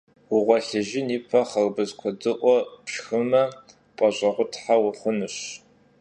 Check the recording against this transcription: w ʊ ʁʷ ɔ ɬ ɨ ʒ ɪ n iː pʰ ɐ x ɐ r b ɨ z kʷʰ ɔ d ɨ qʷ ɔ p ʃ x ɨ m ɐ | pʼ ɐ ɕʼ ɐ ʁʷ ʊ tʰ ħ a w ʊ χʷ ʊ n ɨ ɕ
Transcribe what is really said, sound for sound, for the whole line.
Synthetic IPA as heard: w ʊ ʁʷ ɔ ɬ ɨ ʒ ɪ n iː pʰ ɐ χ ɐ r b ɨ z kʷʰ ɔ d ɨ ʔʷ ɔ p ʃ x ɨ m ɐ | pʼ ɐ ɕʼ ɐ ʁʷ ʊ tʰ ħ a w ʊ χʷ ʊ n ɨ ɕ